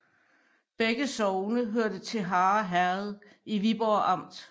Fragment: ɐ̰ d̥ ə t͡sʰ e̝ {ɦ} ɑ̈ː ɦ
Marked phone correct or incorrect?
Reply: correct